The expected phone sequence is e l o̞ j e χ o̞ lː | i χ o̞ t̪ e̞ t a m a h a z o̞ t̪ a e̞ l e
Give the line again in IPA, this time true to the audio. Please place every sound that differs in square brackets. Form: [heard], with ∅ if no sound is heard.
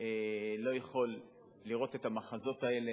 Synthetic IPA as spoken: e l o̞ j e χ o̞ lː | i [ʁ] o̞ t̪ e̞ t a m a [χ] a z o̞ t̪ a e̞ l e